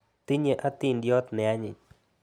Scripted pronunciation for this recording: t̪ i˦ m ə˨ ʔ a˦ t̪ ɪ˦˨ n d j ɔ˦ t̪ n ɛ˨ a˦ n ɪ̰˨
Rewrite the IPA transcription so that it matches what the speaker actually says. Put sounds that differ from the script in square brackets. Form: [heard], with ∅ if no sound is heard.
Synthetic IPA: t̪ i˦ [ɲ] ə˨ ʔ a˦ t̪ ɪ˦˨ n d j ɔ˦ t̪ n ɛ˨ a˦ [ɲ] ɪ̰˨